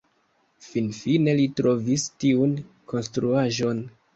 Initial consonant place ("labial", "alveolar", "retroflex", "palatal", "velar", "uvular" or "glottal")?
labial